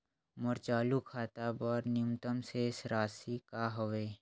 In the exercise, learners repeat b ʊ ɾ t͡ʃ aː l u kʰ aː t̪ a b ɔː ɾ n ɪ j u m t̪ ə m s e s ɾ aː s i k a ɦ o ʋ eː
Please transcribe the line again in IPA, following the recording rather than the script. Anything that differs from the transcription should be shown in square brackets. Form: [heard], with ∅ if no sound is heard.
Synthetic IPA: [m] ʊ ɾ t͡ʃ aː l u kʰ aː t̪ a b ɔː ɾ n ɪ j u m t̪ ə m s e s ɾ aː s i k a ɦ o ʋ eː